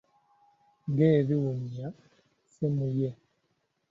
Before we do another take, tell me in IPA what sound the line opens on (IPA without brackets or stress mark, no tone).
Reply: ɡ